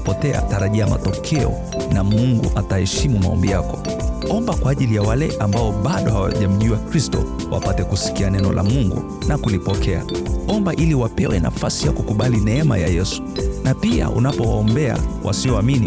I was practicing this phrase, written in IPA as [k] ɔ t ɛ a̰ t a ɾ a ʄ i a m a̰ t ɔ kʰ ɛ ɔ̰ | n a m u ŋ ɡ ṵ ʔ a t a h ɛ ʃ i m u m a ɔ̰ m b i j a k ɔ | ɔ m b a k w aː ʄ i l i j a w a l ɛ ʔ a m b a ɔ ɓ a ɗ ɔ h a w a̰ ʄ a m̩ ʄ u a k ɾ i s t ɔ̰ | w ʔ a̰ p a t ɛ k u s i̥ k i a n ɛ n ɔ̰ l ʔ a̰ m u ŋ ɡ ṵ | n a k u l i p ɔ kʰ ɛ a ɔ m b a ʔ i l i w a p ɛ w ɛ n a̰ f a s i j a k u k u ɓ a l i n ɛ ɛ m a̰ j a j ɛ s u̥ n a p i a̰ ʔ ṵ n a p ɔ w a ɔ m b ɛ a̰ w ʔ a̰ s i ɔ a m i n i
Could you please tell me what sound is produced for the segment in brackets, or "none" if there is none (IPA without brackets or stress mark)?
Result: p